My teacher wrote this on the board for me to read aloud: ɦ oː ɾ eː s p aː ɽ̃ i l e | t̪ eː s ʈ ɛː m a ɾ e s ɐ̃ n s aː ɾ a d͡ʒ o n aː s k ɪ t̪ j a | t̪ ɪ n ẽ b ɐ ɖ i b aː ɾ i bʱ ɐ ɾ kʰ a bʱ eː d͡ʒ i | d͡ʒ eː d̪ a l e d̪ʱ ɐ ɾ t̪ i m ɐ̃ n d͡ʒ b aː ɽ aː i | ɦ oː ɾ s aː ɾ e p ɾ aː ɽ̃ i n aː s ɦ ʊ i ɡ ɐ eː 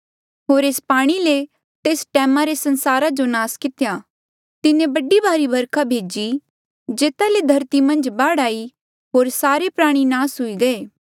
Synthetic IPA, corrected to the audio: ɦ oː ɾ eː s p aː ɽ̃ i l e | t̪ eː s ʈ ɛː m a ɾ e s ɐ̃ n s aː ɾ a d͡ʒ o n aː s k ɪ t̪ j a | t̪ ɪ n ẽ b ɐ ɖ i b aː ɾ i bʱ ɐ ɾ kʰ a bʱ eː d͡ʒ i | d͡ʒ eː t̪ a l e d̪ʱ ɐ ɾ t̪ i m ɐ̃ n d͡ʒ b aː ɽ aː i | ɦ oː ɾ s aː ɾ e p ɾ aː ɽ̃ i n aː s ɦ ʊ i ɡ ɐ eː